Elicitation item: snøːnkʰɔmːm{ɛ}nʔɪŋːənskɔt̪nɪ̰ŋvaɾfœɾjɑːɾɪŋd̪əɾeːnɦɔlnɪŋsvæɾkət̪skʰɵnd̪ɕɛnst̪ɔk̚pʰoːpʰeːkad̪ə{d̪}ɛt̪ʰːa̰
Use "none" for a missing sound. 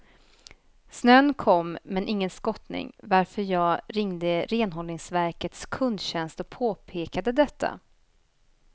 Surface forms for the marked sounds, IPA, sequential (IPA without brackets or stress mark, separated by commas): ɛ, d̪